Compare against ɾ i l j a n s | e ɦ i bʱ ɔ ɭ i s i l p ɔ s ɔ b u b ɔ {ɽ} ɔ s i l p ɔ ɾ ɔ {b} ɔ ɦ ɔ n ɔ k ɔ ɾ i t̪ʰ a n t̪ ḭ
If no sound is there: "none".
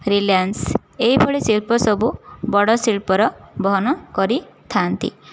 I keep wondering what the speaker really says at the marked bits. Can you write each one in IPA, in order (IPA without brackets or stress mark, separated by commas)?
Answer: ɽ, b